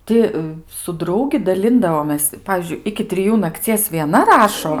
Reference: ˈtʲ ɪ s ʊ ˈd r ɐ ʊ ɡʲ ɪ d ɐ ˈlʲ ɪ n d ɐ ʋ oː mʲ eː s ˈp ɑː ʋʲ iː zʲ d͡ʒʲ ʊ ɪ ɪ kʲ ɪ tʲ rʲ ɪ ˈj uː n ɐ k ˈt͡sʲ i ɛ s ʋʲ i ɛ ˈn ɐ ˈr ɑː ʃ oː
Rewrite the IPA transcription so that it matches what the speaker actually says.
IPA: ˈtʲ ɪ s ʊ ˈd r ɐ ʊ ɡʲ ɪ d ɐ ˈlʲ ɪ n d ɐ ʋ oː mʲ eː s ˈp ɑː ʋʲ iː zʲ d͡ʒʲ ʊ ɪ ɪ kʲ ɪ tʲ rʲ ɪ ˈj uː n ɐ k ˈt͡sʲ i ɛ s ʋʲ i ɛ ˈn ɐ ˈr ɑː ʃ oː

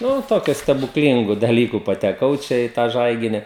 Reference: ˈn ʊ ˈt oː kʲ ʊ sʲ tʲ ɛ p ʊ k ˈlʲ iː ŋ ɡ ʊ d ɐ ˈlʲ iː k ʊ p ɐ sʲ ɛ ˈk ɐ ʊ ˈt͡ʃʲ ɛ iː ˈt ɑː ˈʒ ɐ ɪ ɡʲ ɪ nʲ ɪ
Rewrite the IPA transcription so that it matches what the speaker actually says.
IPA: ˈn ʊ ˈt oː kʲ ʊ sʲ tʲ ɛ b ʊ k ˈlʲ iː ŋ ɡ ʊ d ɐ ˈlʲ iː k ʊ p ɐ tʲ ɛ ˈk ɐ ʊ ˈt͡ʃʲ ɛ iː ˈt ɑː ˈʒ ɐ ɪ ɡʲ ɪ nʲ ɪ

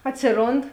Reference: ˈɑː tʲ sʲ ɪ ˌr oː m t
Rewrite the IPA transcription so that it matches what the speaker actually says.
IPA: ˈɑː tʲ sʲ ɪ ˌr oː n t

